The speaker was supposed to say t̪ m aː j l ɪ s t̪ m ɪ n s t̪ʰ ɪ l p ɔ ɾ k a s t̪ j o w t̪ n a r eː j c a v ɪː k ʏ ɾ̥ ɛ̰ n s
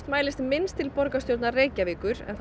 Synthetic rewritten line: t̪ m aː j l ɪ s t̪ m ɪ n s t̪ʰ ɪ l p ɔ ɾ k a s t̪ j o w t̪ n a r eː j c a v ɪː k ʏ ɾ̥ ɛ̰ n θ